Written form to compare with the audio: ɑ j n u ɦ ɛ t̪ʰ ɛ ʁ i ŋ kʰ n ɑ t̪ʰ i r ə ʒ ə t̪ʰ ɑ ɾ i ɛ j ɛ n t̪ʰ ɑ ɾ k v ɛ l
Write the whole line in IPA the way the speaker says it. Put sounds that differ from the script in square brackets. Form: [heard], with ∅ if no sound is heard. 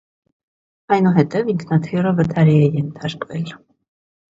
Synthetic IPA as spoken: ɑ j n u ɦ ɛ [t̪] ɛ [v] i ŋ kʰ n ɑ t̪ʰ i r ə [v] ə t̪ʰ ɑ ɾ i ɛ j ɛ n t̪ʰ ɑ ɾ k v ɛ l